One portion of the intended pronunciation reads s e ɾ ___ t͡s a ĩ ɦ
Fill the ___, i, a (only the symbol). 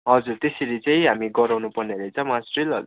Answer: i